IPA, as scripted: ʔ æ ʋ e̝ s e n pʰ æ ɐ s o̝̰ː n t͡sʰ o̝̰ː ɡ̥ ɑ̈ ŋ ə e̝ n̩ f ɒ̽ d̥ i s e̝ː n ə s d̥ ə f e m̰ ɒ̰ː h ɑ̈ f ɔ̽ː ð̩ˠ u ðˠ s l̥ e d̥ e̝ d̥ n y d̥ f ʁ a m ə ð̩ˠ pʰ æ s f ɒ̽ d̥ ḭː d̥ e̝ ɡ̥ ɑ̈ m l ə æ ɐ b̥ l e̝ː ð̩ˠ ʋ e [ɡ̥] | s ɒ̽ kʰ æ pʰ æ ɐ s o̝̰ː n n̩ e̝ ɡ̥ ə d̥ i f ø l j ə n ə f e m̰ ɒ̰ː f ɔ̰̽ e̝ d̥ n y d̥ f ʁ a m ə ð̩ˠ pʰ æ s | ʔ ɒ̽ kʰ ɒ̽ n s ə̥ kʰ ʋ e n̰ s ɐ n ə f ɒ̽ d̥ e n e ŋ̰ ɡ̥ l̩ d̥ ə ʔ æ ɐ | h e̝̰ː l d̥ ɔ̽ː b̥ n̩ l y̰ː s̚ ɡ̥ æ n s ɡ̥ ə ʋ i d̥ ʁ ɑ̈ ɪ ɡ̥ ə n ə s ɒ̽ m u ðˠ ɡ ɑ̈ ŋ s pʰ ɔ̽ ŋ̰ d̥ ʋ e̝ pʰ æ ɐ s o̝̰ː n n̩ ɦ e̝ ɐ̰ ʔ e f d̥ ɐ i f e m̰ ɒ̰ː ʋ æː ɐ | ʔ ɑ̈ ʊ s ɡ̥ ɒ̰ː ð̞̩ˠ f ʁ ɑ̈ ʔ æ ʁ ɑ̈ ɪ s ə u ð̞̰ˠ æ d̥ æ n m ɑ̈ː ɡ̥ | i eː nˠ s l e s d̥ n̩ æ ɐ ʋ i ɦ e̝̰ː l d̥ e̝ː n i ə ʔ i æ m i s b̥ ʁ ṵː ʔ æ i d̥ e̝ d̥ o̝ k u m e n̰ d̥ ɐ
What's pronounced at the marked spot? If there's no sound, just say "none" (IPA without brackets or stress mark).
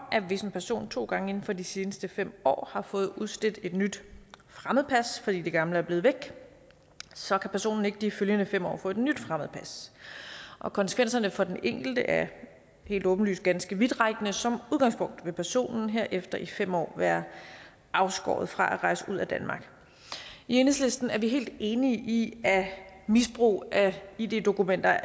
ɡ̥